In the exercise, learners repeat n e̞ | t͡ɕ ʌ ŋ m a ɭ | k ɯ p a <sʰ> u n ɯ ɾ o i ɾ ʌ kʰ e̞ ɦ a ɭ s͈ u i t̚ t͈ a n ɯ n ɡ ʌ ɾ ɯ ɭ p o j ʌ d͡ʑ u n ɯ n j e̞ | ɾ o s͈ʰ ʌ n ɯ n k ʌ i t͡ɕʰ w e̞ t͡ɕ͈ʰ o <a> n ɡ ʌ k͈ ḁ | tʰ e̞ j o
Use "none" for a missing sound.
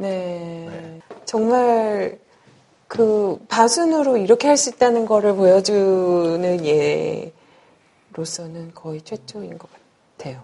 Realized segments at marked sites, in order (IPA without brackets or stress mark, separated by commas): sʰ, i